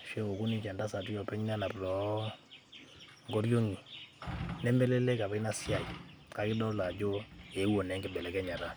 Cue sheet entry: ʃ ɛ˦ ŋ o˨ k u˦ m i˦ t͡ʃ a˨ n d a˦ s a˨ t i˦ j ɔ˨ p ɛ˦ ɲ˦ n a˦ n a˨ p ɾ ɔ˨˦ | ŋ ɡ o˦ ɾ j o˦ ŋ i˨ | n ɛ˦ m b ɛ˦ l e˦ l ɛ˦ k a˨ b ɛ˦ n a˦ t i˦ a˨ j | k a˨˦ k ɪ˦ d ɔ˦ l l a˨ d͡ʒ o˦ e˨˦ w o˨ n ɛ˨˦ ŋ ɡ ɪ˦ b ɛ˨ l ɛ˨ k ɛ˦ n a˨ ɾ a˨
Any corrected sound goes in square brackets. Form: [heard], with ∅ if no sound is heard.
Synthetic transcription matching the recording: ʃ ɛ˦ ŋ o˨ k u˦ [n] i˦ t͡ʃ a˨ n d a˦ s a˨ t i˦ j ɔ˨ p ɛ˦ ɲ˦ n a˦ n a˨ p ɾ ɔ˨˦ | ŋ ɡ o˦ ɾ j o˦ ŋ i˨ | n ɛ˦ m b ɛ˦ l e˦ l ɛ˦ k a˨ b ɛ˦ n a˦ [s] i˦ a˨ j | k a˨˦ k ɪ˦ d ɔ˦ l l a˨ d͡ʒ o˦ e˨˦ w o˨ n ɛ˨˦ ŋ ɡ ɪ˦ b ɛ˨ l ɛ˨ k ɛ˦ [ɲ] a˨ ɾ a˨